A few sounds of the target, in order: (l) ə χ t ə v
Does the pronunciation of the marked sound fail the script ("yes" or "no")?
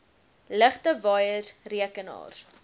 no